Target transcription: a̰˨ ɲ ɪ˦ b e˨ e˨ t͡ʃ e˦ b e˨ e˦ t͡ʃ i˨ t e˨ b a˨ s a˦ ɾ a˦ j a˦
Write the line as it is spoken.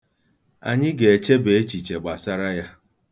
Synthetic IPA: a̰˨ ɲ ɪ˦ ɡ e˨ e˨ t͡ʃ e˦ b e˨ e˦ t͡ʃ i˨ t͡ʃ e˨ ɡ͡b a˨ s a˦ ɾ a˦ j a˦